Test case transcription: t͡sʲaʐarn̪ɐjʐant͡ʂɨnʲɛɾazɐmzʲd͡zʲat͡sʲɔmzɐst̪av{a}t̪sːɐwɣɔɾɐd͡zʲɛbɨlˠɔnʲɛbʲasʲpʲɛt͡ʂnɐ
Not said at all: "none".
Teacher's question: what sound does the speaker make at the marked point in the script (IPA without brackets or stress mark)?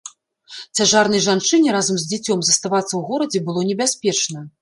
a